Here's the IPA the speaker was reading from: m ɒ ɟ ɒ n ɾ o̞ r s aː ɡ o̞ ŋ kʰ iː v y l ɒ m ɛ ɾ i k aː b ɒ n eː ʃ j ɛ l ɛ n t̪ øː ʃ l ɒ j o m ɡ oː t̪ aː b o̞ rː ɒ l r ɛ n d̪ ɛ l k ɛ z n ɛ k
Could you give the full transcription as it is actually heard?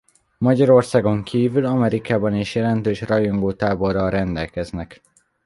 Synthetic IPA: m ɒ ɟ ɒ ɾ o̞ r s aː ɡ o̞ ŋ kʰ iː v y l ɒ m ɛ ɾ i k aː b ɒ n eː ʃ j ɛ l ɛ n t̪ øː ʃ r ɒ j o ŋ ɡ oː t̪ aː b o̞ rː ɒ l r ɛ n d̪ ɛ l k ɛ z n ɛ k